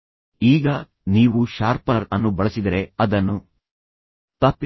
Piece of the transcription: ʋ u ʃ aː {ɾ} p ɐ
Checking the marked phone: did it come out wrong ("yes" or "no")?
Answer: no